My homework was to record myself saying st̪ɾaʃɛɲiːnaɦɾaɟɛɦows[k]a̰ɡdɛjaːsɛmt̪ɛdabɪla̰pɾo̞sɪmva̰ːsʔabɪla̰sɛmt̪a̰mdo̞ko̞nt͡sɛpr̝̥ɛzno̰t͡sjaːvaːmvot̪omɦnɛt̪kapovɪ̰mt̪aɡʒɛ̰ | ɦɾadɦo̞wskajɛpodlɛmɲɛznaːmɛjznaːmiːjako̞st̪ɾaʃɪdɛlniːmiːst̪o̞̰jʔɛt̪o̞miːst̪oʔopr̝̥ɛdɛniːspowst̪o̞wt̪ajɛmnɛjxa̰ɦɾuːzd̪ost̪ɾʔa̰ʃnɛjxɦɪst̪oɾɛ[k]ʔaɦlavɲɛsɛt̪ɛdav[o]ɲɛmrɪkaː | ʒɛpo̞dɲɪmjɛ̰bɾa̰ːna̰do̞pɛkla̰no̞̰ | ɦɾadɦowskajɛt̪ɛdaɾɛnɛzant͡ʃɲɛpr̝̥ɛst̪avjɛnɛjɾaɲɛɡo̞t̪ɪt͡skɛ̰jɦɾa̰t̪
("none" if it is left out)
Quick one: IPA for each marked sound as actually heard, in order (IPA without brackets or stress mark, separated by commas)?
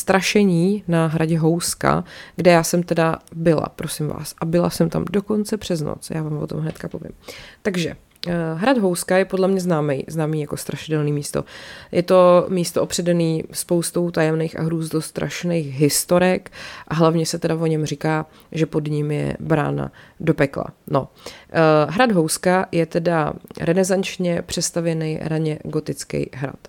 k, k, o